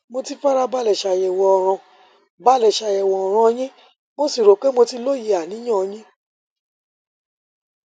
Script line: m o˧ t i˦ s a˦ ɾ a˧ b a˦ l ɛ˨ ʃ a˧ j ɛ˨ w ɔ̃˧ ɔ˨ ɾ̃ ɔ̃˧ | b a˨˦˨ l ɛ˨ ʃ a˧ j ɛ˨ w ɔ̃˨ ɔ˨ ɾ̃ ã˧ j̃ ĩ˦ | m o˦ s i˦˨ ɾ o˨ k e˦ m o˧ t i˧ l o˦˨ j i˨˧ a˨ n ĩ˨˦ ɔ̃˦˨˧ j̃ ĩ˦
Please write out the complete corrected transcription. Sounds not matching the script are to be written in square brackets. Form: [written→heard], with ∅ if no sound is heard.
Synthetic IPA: m o˧ t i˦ [s→f] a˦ ɾ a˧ b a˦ l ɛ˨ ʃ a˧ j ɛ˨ w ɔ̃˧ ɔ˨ ɾ̃ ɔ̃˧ | b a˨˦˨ l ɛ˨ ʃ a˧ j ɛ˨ w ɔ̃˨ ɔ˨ ɾ̃ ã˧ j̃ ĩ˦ | m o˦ s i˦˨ ɾ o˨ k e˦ m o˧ t i˧ l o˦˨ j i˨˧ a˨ n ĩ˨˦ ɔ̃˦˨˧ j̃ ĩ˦